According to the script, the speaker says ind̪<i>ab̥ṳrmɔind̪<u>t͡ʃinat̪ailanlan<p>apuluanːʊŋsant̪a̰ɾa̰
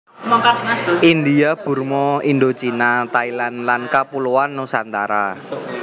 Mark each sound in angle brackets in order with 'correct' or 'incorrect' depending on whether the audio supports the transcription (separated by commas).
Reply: correct, incorrect, incorrect